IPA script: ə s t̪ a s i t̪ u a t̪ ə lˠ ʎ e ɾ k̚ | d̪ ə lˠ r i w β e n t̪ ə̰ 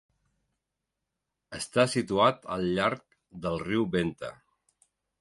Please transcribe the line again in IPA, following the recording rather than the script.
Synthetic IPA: ə s t̪ a s i t̪ u a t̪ ə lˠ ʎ a ɾ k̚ | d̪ ə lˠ r i w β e n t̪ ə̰